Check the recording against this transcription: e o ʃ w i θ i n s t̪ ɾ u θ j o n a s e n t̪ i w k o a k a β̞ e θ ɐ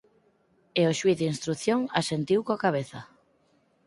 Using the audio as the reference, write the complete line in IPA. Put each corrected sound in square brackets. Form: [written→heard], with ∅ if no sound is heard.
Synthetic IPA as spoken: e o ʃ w i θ i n s t̪ ɾ u θ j o [n→ŋ] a s e n t̪ i w k o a k a β̞ e θ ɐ

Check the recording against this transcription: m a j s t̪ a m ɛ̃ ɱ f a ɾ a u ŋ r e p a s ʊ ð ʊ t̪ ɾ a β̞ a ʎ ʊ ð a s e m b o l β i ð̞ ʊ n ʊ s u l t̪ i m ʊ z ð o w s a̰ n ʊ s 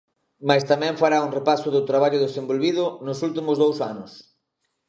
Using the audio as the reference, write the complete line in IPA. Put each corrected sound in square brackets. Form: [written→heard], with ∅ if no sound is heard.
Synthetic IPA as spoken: m a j s t̪ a m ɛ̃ ɱ f a ɾ a u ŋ r e p a s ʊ ð ʊ t̪ ɾ a β̞ a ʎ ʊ ð [a→e] s e m b o l β i ð̞ ʊ n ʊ s u l t̪ i m ʊ z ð o w s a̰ n ʊ s

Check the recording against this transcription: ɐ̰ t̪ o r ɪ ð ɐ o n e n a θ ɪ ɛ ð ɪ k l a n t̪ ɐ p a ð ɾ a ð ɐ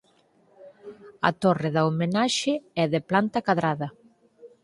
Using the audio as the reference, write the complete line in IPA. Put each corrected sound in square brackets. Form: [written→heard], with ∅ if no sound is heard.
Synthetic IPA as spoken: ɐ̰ t̪ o r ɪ ð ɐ o [n→m] e n a [θ→ʃ] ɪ ɛ ð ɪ [k→p] l a n t̪ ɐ [p→k] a ð ɾ a ð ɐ

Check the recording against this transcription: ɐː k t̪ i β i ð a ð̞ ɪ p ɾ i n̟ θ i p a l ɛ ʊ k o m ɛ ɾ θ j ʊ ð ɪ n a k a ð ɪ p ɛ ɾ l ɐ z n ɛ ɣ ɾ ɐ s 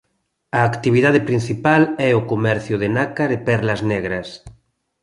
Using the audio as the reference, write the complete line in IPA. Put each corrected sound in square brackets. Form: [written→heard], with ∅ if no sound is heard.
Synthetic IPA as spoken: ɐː k t̪ i β i ð a ð̞ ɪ p ɾ i n̟ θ i p a l ɛ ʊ k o m ɛ ɾ θ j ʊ ð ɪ n a k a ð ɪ p ɛ ɾ l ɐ z n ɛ ɣ ɾ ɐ s

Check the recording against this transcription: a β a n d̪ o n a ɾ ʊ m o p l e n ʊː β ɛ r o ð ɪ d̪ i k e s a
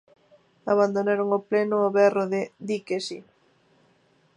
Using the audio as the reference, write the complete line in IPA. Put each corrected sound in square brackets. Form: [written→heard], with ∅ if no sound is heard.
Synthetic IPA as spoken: a β a n d̪ o n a ɾ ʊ [m→ŋ] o p l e n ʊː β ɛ r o ð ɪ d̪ i k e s [a→i]

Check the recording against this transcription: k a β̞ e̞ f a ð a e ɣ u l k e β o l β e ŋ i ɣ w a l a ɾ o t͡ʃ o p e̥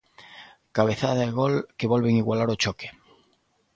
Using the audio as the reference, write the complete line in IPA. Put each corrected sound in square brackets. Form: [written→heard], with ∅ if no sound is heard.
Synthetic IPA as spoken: k a β̞ e̞ [f→θ] a ð a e ɣ [u→o] l k e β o l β e ŋ i ɣ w a l a ɾ o t͡ʃ o [p→k] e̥

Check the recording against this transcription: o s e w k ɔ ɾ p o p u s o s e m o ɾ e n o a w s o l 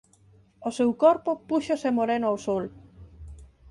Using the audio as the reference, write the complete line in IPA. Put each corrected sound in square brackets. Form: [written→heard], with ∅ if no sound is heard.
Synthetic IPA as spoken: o s e w k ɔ ɾ p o p u [s→ʃ] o s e m o ɾ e n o a w s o l

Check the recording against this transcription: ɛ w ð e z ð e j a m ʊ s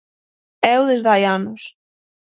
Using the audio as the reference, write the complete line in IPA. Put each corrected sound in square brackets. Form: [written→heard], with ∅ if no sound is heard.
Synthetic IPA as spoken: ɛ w ð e z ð [e→a] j a [m→n] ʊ s

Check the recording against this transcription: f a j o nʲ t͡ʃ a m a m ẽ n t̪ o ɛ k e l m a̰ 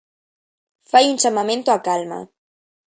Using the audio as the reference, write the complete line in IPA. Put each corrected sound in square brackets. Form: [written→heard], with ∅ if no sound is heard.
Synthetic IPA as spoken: f a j [o→u] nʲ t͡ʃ a m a m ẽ n t̪ o [ɛ→a] k [e→a] l m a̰

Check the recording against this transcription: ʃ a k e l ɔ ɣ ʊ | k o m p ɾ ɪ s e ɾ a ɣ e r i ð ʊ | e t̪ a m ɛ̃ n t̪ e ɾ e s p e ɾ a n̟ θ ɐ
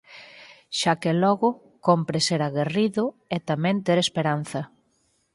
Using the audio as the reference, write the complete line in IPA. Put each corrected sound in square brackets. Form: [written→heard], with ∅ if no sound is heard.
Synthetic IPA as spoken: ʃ a k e l ɔ ɣ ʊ | k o m p ɾ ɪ s e ɾ a ɣ e r i ð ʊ | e t̪ a m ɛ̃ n t̪ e ɾ e s p e ɾ a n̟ θ ɐ

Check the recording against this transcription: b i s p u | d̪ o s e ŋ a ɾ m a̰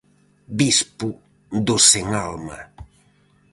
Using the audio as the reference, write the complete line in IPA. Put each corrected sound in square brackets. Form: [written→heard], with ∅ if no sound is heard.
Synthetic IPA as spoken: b i s p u | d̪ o s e ŋ a [ɾ→l] m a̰

